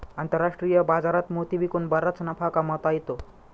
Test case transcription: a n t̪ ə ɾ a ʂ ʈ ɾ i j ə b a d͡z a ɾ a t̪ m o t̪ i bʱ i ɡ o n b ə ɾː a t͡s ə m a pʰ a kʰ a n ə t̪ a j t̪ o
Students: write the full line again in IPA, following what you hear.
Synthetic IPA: a n t̪ ə ɾ a ʂ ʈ ɾ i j ə b a d͡z a ɾ a t̪ m o t̪ i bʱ i k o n b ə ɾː a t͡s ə n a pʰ a k a m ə t̪ a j t̪ o